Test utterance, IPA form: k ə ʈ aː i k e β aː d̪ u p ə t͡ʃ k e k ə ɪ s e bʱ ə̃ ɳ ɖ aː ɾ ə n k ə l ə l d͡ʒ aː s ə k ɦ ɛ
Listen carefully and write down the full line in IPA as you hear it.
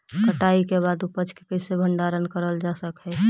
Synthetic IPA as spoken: k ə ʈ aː i k e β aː d̪ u p ə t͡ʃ k e k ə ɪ s e bʱ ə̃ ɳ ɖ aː ɾ ə n k ə ɾ ə l d͡ʒ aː s ə k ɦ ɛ